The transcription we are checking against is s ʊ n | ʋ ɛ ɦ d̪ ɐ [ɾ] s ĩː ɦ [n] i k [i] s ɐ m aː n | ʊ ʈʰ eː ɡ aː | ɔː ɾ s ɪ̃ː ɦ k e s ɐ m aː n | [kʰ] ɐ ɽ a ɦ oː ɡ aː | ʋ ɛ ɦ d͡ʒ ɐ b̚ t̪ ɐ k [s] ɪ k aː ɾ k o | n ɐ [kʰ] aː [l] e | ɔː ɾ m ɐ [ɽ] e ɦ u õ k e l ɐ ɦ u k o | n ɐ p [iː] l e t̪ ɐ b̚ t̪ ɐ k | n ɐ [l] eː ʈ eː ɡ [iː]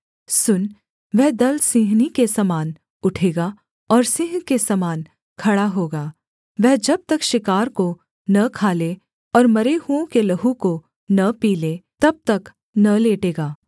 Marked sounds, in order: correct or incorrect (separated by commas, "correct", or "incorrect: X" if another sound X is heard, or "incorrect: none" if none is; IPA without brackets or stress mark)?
incorrect: l, correct, incorrect: e, correct, incorrect: ʃ, correct, correct, incorrect: ɾ, correct, correct, incorrect: aː